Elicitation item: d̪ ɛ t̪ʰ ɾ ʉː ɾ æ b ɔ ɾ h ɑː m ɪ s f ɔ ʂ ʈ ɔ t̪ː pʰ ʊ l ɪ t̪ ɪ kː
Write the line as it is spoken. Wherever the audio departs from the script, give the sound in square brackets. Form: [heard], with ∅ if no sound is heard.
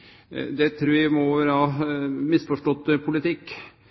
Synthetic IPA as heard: d̪ ɛ t̪ʰ ɾ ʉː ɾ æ [m] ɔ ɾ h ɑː m ɪ s f ɔ ʂ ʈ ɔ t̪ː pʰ ʊ l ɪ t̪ ɪ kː